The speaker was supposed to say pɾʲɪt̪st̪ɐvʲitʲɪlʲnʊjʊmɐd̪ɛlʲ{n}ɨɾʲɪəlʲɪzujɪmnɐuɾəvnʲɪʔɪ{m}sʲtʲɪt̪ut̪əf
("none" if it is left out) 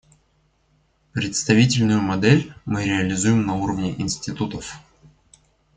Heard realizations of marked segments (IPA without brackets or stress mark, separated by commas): m, n